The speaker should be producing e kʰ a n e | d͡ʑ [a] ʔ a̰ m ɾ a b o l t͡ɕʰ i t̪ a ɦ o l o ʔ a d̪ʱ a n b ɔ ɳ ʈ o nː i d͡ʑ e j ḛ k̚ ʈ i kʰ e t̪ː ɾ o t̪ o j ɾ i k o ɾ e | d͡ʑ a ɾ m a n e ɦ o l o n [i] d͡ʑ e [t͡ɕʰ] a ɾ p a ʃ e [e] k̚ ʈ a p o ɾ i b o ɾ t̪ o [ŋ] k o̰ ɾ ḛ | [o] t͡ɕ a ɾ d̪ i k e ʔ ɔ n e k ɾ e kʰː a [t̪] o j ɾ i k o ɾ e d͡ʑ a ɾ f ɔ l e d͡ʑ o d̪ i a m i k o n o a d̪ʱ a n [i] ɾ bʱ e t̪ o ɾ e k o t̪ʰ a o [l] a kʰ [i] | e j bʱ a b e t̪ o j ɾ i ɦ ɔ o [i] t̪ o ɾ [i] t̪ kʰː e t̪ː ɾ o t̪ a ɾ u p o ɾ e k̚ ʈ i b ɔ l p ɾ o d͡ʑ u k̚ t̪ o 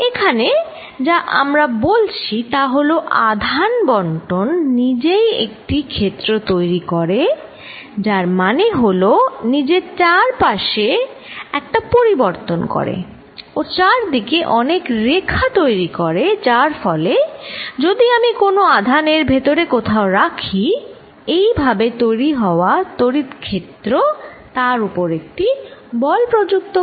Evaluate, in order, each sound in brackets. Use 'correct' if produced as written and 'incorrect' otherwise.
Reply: correct, correct, incorrect, incorrect, incorrect, correct, correct, incorrect, incorrect, correct, incorrect, correct

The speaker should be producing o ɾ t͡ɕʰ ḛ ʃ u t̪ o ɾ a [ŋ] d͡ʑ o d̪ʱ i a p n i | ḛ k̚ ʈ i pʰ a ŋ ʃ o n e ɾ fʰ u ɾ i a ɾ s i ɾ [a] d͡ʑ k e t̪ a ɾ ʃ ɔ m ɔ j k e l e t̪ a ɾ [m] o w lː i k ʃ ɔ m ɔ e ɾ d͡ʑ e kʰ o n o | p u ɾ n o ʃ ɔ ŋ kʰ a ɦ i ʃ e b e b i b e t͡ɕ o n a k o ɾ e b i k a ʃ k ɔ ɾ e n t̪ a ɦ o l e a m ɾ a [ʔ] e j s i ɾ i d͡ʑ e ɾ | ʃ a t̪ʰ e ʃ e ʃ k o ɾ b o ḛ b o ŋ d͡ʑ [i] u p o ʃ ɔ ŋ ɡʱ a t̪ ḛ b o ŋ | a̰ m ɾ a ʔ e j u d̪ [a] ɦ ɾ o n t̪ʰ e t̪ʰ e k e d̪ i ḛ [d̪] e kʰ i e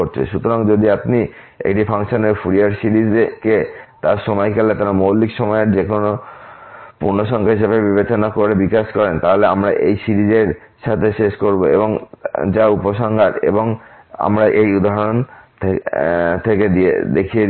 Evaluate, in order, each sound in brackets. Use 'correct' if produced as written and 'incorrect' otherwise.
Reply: correct, incorrect, correct, correct, incorrect, correct, correct

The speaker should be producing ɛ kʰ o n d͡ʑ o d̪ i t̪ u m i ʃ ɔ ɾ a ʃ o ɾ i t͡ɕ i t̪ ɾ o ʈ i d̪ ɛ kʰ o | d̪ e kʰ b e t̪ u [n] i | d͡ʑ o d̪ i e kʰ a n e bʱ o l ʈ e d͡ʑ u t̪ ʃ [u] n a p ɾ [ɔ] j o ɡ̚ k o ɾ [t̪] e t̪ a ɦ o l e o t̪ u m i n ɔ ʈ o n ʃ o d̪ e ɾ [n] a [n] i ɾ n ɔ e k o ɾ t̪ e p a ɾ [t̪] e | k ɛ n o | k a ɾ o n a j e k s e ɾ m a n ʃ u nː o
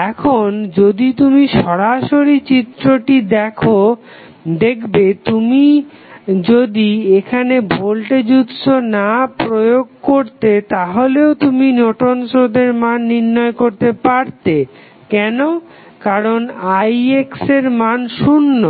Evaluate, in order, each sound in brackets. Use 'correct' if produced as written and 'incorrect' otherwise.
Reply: incorrect, incorrect, incorrect, correct, incorrect, incorrect, correct

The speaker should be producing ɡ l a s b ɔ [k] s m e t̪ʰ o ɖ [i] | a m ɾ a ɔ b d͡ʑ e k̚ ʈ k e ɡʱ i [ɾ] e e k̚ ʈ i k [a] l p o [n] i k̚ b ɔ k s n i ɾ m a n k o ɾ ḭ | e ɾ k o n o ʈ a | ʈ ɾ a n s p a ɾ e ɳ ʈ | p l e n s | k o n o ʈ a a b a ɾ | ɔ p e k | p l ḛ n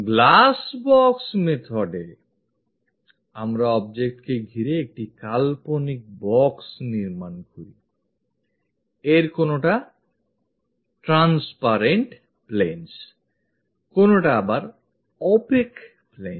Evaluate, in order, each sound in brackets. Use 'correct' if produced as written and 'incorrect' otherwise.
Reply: correct, incorrect, correct, correct, correct

